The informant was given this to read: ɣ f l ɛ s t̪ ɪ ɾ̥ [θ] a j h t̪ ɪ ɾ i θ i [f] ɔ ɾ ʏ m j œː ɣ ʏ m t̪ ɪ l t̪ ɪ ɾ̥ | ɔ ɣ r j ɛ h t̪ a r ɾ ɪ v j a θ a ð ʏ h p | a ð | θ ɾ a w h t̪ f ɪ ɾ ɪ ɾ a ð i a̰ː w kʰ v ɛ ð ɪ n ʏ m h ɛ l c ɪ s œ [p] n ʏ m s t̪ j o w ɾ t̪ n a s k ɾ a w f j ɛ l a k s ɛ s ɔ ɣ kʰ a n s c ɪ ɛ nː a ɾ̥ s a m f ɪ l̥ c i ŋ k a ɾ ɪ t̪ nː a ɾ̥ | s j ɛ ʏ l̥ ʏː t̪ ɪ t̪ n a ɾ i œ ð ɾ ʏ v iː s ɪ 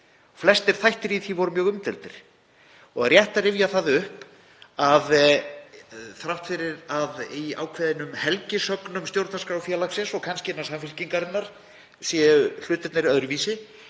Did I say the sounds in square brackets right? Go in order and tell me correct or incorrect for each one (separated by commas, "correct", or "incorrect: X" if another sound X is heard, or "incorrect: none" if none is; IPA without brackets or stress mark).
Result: correct, incorrect: v, incorrect: k